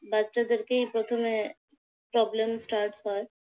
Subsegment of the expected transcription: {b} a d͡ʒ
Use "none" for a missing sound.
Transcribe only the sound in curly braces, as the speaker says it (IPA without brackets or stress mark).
b